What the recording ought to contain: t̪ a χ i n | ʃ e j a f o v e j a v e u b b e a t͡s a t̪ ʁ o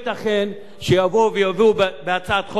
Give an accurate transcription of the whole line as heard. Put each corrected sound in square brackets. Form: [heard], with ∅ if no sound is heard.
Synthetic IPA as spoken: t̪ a χ [e] n | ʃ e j a [v] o v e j a v [i] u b b e a t͡s a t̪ [χ] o

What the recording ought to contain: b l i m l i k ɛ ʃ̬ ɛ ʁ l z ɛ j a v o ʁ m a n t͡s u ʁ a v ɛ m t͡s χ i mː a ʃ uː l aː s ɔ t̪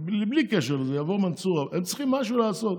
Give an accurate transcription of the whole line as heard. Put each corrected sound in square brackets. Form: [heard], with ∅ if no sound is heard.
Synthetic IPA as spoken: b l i [b] l i k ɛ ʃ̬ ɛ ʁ l z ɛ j a v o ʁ m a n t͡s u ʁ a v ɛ m t͡s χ i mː a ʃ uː l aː s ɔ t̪

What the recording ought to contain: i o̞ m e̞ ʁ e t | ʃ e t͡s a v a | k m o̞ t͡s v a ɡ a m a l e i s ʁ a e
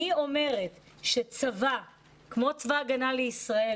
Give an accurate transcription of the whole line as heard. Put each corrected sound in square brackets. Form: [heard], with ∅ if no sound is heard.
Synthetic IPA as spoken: i o̞ m e̞ ʁ e t | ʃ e t͡s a v a | k m o̞ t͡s v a ɡ a [n] a l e i s ʁ a e

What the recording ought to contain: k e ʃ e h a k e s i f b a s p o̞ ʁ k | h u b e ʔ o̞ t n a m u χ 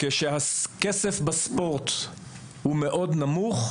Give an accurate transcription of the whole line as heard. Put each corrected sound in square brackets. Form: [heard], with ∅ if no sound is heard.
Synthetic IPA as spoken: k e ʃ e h a k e s [e] f b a s p o̞ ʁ [t] | h u [m] e ʔ o̞ [d] n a m u χ

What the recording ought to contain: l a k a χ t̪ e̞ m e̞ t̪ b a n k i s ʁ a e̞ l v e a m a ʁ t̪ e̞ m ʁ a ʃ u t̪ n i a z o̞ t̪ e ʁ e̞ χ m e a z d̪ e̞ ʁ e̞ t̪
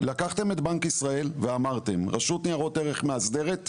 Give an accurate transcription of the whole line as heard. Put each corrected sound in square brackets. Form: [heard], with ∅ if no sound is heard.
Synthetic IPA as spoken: l a k a χ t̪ e̞ m e̞ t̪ b a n k i s ʁ a e̞ l v e a m a ʁ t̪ e̞ m ʁ a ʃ u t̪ n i a [ʁ] o̞ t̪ e ʁ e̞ χ m e a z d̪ e̞ ʁ e̞ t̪

